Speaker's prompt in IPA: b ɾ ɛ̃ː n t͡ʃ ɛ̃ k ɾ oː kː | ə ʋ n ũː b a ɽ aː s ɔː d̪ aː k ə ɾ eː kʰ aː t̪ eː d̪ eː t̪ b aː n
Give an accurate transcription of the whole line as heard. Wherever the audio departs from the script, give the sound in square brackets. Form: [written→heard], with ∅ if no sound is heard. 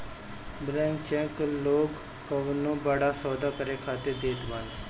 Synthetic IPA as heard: b ɾ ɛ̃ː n t͡ʃ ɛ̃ k [ɾ→l] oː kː | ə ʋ n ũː b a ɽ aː s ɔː d̪ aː k ə ɾ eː kʰ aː t̪ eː d̪ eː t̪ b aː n